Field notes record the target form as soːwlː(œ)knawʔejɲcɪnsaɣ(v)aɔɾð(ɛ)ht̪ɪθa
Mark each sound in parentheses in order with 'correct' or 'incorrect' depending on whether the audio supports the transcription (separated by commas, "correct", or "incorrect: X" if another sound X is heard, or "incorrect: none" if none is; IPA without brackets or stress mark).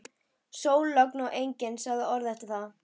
correct, incorrect: ð, correct